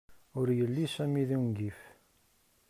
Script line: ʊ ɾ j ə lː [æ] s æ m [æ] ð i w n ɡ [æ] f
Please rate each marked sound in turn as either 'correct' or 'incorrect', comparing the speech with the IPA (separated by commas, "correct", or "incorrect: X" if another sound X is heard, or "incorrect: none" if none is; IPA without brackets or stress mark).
incorrect: i, incorrect: i, incorrect: i